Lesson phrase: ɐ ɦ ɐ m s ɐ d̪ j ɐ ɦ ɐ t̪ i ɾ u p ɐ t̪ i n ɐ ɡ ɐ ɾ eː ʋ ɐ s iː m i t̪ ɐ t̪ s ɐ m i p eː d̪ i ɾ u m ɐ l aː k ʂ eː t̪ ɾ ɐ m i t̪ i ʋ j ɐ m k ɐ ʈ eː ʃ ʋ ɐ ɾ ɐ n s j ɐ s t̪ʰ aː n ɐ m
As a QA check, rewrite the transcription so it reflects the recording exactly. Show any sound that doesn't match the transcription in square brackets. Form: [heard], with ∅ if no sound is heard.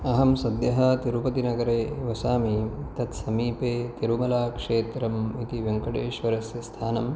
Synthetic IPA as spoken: ɐ ɦ ɐ m s ɐ d̪ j ɐ ɦ ɐ t̪ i ɾ u p ɐ t̪ i n ɐ ɡ ɐ ɾ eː ʋ ɐ s [aː] m i t̪ ɐ t̪ s ɐ m [iː] p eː [t̪] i ɾ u m ɐ l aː k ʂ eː t̪ ɾ ɐ m i t̪ i ʋ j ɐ [ŋ] k ɐ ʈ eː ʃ ʋ ɐ ɾ ɐ [∅] s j ɐ s t̪ʰ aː n ɐ m